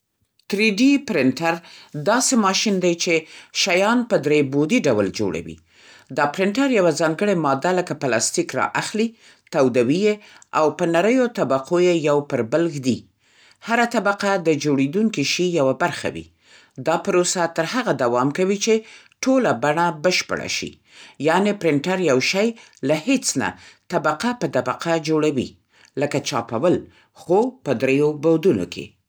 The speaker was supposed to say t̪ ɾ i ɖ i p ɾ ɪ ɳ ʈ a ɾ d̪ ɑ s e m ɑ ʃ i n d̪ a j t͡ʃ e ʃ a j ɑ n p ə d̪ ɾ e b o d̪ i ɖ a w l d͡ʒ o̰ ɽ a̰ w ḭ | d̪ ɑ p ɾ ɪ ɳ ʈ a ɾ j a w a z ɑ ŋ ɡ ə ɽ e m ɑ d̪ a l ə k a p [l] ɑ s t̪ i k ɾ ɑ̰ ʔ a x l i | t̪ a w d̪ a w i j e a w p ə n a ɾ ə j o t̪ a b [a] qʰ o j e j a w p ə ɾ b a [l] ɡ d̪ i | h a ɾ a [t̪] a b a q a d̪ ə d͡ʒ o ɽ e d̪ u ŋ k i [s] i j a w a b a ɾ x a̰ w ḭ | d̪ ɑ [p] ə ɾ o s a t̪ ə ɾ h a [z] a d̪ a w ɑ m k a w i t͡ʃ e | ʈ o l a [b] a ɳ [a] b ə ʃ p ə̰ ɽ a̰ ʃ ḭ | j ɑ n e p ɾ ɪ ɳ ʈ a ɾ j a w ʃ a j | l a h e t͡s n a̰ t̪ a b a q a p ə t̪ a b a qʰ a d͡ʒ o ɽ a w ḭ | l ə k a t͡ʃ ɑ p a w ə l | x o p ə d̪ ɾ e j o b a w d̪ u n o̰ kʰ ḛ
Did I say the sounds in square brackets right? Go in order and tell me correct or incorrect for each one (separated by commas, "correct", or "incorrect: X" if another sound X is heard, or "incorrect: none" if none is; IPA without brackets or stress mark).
correct, correct, correct, correct, incorrect: ʃ, correct, incorrect: ɣ, correct, correct